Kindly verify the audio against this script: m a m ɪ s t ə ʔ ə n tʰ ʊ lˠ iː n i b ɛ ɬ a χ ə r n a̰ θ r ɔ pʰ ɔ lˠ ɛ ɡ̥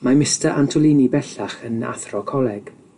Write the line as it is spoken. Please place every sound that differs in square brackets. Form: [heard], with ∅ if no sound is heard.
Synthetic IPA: m a m ɪ s t ə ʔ [a] n tʰ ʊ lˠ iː n i b ɛ ɬ a χ ə [∅] n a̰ θ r ɔ [kʰ] ɔ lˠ ɛ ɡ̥